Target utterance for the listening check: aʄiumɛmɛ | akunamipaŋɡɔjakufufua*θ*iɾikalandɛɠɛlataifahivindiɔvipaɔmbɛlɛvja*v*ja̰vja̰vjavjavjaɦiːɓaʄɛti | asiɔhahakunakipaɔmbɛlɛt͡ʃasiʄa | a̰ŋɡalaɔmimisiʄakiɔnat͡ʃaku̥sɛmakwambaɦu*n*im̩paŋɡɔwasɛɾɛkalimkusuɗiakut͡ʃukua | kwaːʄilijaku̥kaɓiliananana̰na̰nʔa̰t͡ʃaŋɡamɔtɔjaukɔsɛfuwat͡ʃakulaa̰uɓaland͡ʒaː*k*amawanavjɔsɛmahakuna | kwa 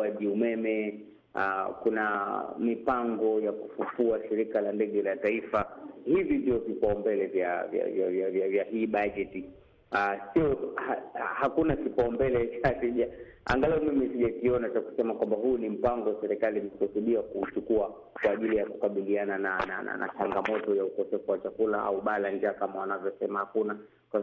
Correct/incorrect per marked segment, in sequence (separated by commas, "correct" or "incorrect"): incorrect, correct, correct, correct